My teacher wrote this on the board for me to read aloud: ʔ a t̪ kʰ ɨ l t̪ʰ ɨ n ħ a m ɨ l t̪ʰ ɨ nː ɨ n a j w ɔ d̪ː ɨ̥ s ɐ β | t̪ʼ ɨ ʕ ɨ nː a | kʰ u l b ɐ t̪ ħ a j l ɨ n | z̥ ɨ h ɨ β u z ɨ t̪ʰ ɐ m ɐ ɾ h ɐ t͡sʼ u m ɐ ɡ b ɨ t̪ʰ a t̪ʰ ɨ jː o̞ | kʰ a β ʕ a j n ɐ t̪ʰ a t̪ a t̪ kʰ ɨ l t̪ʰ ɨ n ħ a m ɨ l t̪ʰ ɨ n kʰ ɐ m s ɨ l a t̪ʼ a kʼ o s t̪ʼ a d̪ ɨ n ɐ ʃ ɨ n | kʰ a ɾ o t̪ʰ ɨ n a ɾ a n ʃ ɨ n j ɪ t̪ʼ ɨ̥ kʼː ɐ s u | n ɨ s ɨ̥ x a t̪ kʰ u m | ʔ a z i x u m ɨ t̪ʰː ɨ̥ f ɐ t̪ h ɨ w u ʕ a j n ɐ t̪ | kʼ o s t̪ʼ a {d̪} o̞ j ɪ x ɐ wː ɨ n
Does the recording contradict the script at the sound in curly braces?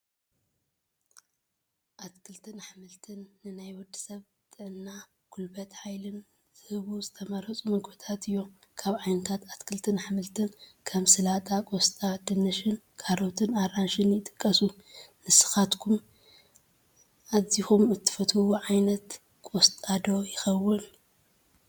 no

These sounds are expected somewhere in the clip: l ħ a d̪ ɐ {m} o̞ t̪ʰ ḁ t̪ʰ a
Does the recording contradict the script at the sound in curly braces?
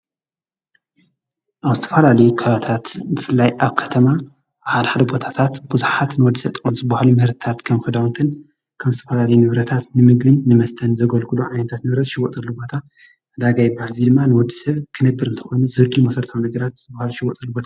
yes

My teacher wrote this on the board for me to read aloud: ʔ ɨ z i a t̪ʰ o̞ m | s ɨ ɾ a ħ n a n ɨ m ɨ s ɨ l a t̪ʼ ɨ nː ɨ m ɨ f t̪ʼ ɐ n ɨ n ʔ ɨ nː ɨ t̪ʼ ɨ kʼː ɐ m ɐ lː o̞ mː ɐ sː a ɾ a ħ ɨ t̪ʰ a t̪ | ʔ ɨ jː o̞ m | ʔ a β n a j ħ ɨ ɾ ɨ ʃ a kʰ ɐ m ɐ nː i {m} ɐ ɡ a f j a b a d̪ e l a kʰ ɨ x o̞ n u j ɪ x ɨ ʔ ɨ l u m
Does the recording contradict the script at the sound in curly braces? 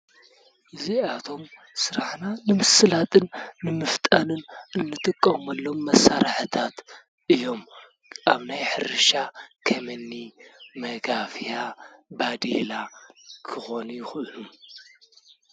no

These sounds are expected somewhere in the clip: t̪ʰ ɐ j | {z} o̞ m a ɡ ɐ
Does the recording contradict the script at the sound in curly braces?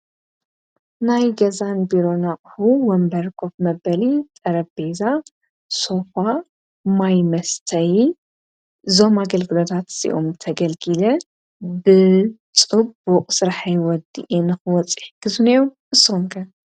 no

